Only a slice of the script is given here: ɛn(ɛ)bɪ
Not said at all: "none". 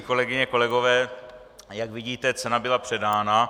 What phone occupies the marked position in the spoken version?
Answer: a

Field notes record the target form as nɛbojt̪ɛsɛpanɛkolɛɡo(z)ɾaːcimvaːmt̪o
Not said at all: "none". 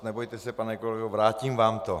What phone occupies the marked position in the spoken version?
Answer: v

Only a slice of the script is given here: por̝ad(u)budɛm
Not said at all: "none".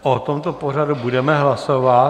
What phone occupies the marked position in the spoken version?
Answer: u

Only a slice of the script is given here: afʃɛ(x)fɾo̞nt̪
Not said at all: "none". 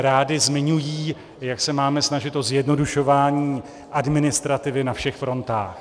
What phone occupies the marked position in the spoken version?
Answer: x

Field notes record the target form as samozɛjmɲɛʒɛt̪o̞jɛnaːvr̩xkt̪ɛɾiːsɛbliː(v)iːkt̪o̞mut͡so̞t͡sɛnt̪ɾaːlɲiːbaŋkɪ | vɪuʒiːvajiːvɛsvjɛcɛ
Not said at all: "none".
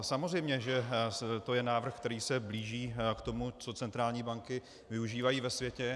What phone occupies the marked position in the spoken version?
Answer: ʒ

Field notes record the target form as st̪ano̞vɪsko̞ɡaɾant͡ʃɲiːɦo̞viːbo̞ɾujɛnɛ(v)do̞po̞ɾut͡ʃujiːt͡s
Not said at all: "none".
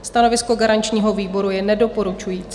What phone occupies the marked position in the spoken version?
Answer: none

